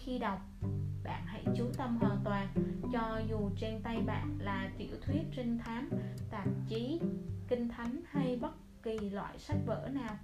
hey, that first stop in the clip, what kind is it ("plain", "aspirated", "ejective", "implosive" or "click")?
implosive